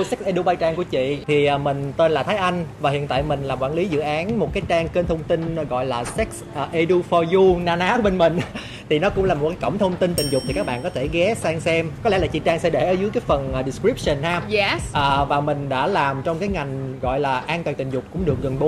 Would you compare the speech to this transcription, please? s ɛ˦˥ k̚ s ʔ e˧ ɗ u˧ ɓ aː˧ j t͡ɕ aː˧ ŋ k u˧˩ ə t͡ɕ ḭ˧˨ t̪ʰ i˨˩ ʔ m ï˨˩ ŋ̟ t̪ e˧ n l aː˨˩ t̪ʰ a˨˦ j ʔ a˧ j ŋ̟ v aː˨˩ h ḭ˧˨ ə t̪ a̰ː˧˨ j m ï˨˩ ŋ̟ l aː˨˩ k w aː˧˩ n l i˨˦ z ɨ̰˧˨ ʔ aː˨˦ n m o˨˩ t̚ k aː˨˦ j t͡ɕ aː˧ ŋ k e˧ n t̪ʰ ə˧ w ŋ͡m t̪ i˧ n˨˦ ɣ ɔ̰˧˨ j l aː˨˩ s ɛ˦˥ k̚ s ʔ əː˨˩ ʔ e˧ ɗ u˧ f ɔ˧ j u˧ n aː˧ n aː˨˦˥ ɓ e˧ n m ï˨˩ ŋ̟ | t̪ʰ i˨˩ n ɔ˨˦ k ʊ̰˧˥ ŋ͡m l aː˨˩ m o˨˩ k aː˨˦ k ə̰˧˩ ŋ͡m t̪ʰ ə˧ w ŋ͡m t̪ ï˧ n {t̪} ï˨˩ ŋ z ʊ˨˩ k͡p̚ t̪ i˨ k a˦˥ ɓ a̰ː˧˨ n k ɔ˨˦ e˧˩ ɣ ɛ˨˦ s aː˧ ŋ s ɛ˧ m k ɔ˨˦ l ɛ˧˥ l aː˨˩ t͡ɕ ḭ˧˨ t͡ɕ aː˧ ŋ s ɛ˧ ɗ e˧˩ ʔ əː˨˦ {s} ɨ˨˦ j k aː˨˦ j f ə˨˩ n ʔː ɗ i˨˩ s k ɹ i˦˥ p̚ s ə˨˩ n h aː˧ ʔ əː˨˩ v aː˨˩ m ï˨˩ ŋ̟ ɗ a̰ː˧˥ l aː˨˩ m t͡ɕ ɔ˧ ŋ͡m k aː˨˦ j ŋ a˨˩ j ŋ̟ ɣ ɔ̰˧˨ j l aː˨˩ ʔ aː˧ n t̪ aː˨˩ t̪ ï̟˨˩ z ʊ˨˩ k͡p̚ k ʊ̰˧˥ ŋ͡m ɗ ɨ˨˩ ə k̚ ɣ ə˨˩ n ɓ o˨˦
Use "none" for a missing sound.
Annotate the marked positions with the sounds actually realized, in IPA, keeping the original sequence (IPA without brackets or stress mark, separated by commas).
t̪, z